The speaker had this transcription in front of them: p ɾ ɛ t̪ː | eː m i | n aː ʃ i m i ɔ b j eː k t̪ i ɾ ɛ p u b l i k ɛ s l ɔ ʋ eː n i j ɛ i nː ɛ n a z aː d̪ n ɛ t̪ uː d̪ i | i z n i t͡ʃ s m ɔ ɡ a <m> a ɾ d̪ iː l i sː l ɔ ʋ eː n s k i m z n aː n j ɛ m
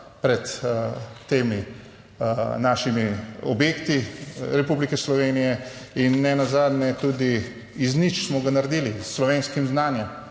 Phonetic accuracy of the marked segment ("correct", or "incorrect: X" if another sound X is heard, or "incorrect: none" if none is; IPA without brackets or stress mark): incorrect: n